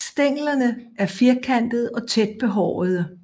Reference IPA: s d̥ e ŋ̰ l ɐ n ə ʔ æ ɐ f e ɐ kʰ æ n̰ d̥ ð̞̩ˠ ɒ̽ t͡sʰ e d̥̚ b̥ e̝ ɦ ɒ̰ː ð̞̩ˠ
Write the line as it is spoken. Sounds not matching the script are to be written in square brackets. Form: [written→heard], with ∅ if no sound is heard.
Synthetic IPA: s d̥ e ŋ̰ l ɐ n ə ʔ æ ɐ f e ɐ kʰ æ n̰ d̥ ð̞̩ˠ ɒ̽ t͡sʰ e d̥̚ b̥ e̝ ɦ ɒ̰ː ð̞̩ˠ